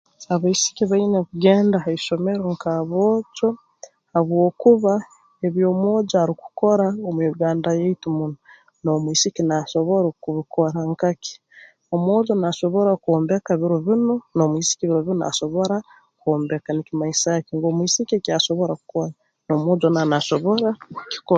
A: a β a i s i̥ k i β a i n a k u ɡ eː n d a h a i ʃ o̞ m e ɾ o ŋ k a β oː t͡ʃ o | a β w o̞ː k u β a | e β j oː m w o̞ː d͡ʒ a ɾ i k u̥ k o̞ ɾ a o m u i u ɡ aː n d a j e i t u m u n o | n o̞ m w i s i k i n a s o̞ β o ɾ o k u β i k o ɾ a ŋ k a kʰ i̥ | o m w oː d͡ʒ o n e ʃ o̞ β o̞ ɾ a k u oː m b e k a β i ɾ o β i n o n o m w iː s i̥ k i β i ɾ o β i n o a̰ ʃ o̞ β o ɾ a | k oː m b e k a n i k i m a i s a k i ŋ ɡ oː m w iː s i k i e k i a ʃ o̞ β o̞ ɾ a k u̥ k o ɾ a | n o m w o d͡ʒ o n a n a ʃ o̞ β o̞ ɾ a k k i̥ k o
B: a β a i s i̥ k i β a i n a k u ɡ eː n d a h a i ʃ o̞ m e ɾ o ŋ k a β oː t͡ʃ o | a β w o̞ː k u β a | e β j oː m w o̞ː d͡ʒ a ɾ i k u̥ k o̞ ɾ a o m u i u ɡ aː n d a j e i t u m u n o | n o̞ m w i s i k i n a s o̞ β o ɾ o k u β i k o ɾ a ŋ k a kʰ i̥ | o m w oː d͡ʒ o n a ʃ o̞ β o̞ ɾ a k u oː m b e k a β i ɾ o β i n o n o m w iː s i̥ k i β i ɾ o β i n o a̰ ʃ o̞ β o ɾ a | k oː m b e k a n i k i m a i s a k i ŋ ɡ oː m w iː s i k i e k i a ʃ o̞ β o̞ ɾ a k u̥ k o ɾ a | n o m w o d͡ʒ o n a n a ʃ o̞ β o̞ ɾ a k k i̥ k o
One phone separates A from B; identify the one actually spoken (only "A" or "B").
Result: B